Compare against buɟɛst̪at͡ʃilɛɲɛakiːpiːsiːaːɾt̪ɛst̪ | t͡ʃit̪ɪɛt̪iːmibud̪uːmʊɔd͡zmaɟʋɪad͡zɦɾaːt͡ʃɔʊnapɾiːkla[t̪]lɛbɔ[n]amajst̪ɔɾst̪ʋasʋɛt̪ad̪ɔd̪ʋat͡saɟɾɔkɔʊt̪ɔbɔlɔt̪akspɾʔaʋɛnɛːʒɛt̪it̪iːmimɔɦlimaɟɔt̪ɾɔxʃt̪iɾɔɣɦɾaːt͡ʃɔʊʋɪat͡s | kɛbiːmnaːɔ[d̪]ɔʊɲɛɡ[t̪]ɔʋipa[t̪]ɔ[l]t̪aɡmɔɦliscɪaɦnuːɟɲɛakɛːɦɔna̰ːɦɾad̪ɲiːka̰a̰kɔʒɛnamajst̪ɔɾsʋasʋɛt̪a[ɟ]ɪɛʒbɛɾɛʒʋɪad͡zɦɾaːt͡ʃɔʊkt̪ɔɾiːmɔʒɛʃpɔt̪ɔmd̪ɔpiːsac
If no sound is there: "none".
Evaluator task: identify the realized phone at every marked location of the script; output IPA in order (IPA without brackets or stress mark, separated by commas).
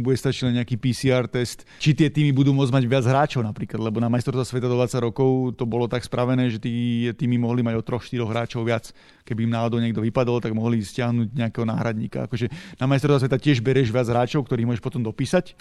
d̪, n, d̪, d̪, d̪, l, c